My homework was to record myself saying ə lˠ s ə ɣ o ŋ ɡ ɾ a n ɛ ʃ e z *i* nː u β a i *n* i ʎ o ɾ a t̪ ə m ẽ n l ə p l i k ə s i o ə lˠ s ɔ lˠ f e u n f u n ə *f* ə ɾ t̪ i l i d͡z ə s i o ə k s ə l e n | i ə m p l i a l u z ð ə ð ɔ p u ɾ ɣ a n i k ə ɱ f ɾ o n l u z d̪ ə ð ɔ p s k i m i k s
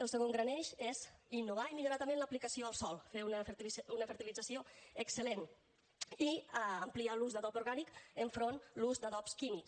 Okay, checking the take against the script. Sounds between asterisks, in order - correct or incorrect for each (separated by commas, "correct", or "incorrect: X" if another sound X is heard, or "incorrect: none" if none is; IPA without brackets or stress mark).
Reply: correct, incorrect: m, correct